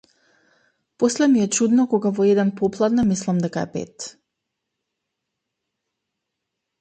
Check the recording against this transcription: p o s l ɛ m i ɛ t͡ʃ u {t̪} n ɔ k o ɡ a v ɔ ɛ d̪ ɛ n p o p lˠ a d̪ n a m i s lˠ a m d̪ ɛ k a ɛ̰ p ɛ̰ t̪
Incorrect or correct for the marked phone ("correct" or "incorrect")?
incorrect